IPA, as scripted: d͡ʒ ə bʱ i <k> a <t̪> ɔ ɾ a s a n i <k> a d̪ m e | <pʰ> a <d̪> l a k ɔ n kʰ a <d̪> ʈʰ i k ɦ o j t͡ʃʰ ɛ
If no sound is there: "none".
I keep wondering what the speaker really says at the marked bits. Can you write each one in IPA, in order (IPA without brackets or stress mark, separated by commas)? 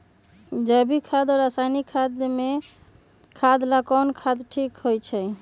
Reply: kʰ, d̪, kʰ, kʰ, d̪, d̪